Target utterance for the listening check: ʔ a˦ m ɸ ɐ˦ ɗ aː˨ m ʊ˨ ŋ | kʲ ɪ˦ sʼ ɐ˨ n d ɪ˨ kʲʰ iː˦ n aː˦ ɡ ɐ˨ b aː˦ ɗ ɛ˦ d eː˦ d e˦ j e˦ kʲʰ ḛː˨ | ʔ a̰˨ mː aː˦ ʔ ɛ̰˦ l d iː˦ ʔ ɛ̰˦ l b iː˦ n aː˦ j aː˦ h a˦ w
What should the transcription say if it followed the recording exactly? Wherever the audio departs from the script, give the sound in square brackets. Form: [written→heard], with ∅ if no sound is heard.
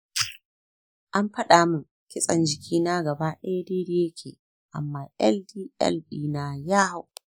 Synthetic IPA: ʔ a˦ m ɸ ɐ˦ ɗ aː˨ m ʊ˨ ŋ | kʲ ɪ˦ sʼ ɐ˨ n [d→d͡ʒ] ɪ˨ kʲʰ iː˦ n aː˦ ɡ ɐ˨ b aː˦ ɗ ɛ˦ d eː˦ d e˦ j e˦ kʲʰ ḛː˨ | ʔ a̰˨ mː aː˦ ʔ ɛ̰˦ l d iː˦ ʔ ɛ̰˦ l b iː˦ n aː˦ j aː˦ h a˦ w